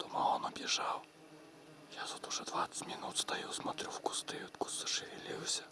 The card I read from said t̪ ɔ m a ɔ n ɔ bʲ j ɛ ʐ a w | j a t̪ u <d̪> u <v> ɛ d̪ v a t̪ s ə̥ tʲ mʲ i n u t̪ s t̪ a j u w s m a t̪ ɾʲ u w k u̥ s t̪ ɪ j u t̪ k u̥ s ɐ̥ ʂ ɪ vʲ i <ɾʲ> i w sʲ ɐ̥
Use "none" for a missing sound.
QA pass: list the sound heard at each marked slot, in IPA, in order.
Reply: t̪, ʐ, lʲ

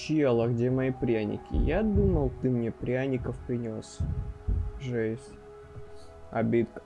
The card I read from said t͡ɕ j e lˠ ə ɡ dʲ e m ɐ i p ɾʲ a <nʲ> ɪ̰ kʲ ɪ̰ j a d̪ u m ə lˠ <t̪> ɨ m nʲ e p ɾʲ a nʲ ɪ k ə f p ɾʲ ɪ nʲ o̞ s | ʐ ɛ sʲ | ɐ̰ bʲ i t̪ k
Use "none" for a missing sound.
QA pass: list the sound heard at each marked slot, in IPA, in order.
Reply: nʲ, t̪

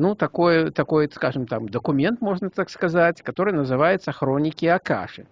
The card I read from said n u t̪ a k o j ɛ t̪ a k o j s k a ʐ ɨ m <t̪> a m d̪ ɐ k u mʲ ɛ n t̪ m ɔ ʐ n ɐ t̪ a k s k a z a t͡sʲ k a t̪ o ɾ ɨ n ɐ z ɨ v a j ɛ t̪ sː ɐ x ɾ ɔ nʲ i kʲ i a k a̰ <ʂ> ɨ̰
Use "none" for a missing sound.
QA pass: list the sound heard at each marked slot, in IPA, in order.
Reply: t̪, ʂ

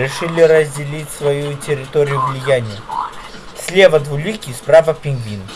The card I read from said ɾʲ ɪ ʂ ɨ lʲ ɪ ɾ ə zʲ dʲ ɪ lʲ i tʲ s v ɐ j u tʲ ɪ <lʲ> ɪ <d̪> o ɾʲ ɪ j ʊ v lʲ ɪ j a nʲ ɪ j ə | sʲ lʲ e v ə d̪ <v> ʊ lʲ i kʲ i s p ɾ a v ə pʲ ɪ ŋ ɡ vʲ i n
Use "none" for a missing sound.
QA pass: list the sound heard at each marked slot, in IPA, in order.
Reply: ɾʲ, t̪, v

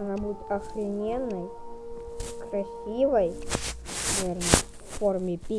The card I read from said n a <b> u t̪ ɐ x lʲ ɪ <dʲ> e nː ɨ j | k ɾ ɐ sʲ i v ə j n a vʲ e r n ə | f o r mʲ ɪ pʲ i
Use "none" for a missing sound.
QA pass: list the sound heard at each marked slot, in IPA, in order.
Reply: b, nʲ

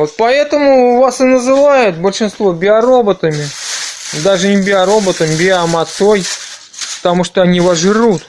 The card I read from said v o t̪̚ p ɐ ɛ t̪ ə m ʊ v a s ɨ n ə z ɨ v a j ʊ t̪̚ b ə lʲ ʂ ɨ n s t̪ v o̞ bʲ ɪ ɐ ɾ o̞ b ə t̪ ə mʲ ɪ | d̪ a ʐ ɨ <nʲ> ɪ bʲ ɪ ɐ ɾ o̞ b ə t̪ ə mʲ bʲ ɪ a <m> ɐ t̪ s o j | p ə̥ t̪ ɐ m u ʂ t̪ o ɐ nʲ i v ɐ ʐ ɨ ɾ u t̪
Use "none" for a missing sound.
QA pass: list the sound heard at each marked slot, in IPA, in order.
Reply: nʲ, m

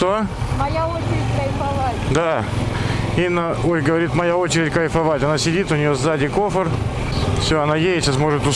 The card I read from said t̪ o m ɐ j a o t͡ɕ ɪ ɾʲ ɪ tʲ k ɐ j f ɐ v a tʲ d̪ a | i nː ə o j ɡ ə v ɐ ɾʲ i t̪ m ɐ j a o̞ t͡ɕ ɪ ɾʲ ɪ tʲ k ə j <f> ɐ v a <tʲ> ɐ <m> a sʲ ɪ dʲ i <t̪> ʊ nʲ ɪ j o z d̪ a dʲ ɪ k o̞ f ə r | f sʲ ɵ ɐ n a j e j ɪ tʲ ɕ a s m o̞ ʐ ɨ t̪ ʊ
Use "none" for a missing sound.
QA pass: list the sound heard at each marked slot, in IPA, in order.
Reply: f, tʲ, n, t̪

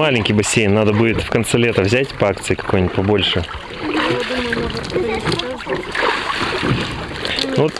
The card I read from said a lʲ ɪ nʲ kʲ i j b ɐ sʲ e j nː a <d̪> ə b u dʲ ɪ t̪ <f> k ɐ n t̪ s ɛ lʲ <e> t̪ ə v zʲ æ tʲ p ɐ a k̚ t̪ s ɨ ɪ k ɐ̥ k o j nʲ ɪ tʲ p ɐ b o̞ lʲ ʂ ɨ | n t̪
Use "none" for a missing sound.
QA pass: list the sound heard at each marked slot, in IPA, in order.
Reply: d̪, f, e

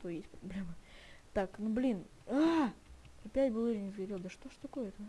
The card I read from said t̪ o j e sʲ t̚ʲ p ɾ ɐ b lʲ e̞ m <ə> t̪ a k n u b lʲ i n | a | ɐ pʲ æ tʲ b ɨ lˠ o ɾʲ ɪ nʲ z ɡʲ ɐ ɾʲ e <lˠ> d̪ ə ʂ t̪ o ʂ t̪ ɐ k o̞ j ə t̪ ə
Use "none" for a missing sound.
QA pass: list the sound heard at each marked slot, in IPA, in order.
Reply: ə, lˠ

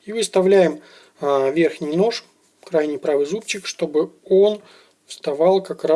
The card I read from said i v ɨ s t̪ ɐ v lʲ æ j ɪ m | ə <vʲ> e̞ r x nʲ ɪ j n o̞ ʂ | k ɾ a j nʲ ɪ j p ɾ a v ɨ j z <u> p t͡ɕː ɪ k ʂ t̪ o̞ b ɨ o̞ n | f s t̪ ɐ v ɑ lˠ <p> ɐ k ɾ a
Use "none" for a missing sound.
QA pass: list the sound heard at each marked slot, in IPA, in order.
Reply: vʲ, u, k

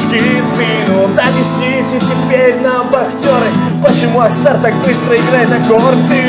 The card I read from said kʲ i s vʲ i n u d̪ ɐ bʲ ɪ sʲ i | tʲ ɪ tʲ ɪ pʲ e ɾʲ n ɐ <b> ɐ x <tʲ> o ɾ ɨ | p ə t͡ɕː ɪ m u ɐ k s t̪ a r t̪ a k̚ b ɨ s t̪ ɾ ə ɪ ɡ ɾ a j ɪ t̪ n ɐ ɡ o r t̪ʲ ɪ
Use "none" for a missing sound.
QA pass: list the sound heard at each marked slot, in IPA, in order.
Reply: b, tʲ

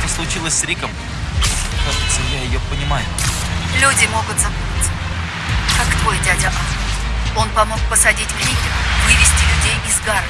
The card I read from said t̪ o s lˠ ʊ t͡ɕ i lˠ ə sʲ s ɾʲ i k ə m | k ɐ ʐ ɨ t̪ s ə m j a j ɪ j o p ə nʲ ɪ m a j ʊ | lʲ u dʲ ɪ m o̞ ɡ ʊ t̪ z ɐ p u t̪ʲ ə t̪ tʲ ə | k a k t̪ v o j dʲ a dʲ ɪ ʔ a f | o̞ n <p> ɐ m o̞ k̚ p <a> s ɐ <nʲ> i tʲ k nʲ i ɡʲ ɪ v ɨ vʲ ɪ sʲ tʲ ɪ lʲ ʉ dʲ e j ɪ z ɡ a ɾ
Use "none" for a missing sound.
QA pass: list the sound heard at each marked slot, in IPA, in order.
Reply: p, ə, dʲ

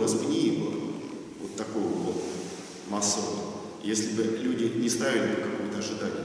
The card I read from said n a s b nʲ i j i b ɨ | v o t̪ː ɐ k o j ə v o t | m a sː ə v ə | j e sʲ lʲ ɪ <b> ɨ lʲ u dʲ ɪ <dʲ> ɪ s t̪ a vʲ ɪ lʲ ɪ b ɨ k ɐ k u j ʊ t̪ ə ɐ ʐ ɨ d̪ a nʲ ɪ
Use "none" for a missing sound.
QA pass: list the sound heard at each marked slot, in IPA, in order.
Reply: b, nʲ

